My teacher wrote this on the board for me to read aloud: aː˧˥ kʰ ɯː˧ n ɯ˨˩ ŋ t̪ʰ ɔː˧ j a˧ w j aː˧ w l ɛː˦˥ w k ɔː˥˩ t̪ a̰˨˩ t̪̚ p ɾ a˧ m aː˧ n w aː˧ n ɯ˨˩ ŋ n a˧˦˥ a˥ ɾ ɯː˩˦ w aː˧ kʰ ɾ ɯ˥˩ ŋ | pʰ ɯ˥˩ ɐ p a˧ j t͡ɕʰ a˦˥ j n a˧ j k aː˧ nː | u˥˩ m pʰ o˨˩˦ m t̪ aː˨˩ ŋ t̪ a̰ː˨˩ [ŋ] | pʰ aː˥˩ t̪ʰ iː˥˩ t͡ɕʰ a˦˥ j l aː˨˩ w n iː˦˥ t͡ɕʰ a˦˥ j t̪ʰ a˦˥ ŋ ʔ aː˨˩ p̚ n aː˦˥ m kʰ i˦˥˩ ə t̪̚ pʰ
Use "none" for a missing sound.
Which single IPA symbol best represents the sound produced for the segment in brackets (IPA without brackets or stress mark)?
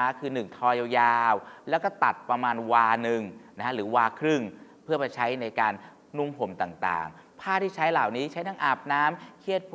ŋ